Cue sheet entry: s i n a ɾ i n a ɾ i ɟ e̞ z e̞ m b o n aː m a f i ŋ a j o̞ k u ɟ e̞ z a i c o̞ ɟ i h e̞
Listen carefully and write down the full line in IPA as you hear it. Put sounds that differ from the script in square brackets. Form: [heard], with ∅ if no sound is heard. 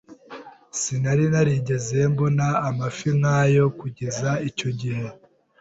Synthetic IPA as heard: s i n a ɾ i n a ɾ i ɟ e̞ z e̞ m b o n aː m a f i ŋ a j o̞ k u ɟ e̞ z a i c o̞ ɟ i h e̞

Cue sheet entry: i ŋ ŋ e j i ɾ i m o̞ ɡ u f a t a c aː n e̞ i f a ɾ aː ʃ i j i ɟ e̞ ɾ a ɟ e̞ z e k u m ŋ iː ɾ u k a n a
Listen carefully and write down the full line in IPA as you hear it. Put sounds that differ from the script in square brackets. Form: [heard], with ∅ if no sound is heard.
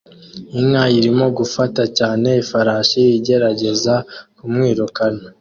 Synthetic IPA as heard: i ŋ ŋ [a] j i ɾ i m o̞ ɡ u f a t a c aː n e̞ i f a ɾ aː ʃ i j i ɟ e̞ ɾ a ɟ e̞ z [a] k u m ŋ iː ɾ u k a n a

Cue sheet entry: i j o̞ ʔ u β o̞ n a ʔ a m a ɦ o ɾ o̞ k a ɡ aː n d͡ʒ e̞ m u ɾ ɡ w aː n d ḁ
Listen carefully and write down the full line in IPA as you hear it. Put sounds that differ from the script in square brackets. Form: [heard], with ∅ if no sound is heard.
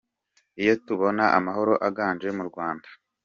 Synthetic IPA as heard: i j o̞ [t] u β o̞ n a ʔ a m a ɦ o ɾ o̞ [ʔ] a ɡ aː n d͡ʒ e̞ m u ɾ ɡ w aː n d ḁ

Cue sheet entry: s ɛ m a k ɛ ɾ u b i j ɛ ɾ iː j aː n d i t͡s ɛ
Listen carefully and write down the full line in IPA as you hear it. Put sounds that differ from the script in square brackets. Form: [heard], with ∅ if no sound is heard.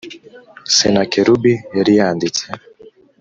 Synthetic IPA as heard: s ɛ [n] a k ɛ ɾ u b i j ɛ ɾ [i] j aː n d i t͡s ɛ

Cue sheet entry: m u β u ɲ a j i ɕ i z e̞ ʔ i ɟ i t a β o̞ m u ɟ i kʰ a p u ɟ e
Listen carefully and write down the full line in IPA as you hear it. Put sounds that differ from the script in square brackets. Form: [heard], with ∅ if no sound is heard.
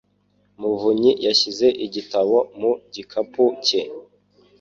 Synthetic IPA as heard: m u [v] u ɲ [i] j [a] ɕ i z e̞ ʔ i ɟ i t a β o̞ m u ɟ i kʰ a p u [c] e

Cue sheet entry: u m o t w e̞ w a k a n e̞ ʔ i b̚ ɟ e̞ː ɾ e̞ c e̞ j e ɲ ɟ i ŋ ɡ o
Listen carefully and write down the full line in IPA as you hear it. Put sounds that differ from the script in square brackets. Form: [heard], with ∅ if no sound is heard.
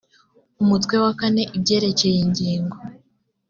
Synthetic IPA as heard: u m [u] t w e̞ w a k a n e̞ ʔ i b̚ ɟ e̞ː ɾ e̞ c e̞ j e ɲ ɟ [iː] ŋ ɡ o

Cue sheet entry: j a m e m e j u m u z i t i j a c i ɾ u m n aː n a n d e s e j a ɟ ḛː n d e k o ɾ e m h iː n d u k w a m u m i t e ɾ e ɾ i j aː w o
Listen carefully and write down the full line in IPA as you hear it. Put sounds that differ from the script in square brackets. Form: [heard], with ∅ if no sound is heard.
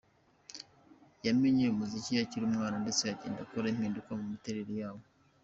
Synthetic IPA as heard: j a m e [ɲ] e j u m u z i [c] i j a c i ɾ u m [ŋ] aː n a n d e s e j a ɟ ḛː n d [a] k o ɾ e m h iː n d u k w a m u m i t e ɾ e ɾ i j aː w o

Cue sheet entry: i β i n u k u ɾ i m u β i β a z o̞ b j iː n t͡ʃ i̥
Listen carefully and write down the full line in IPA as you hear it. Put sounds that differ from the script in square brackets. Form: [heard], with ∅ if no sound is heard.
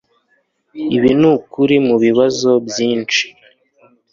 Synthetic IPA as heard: i β i n u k u ɾ i m u β i β a z o̞ b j iː n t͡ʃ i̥

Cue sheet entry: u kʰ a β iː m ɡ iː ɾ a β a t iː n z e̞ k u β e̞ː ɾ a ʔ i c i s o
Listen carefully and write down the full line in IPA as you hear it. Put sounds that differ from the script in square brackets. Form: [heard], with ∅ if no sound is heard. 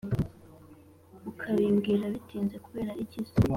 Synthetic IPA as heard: u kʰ a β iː m ɡ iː ɾ a β [i] t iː n z e̞ k u β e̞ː ɾ a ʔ i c i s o

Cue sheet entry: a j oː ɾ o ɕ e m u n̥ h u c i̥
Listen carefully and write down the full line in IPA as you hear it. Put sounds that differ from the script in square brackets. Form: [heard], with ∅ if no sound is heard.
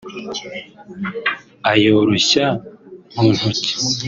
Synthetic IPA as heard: a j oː ɾ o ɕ [a] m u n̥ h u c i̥

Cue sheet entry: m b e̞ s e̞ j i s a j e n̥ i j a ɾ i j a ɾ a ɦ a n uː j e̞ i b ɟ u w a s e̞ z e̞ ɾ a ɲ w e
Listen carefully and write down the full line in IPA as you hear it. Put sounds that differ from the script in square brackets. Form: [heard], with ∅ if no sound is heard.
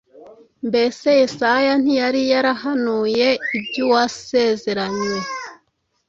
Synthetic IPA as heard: m b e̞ s e̞ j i s a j [a] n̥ i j a ɾ i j a ɾ a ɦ a n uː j e̞ i b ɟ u w a s e̞ z e̞ ɾ a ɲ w e

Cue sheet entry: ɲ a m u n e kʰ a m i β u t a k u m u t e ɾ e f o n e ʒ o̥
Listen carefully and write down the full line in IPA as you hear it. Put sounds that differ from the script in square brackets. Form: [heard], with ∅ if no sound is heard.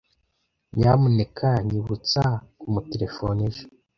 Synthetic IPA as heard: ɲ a m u n e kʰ a [ɲ] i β u [t͡s] a k u m u t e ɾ e f o n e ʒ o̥

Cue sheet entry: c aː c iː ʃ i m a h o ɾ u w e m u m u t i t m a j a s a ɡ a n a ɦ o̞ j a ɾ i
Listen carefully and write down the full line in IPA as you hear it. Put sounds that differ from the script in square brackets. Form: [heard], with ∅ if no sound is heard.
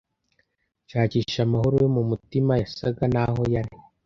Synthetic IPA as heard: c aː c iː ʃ [a] m a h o ɾ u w e m u m u t i [∅] m a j a s a ɡ a n a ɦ o̞ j a ɾ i

